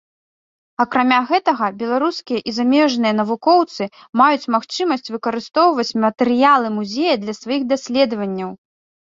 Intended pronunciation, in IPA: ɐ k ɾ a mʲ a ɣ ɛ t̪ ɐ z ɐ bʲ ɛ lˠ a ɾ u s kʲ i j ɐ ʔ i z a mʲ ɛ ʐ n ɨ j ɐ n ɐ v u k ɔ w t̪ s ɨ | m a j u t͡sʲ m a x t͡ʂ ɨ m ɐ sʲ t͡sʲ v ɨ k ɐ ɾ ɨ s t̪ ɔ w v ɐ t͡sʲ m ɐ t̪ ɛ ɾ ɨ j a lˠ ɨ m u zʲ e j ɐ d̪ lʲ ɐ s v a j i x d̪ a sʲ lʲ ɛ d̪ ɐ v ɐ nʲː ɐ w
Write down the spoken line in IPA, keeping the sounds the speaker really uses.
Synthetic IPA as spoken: ɐ k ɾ a mʲ a ɣ ɛ t̪ ɐ ɣ ɐ bʲ ɛ lˠ a ɾ u s kʲ i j ɐ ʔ i z a mʲ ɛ ʐ n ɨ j ɐ n ɐ v u k ɔ w t̪ s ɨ | m a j u t͡sʲ m a x t͡ʂ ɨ m ɐ sʲ t͡sʲ v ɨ k ɐ ɾ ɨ s t̪ ɔ w v ɐ t͡sʲ m ɐ t̪ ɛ ɾ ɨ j a lˠ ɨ m u zʲ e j ɐ d̪ lʲ ɐ s v a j i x d̪ a sʲ lʲ ɛ d̪ ɐ v ɐ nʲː ɐ w